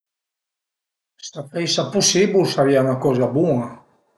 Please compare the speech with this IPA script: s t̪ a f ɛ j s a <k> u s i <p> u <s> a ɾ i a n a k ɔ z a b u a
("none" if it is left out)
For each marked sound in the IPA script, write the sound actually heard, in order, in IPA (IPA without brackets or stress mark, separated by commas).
p, b, s